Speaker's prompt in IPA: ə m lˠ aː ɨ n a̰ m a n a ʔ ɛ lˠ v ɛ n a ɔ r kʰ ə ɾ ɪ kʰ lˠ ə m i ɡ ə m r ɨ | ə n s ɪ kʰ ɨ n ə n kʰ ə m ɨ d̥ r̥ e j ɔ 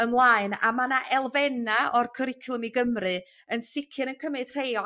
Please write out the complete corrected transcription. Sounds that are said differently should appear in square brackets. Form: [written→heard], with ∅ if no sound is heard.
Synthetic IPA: ə m lˠ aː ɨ n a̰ m a n a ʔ ɛ lˠ v ɛ n a ɔ r kʰ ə ɾ ɪ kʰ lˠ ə m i ɡ ə m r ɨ | ə n s ɪ kʰ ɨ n ə n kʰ ə m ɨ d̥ r̥ e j ɔ